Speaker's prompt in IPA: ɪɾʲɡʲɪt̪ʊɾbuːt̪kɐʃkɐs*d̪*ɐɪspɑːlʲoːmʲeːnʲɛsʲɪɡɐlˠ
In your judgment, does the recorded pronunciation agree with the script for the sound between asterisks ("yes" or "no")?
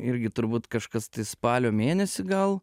no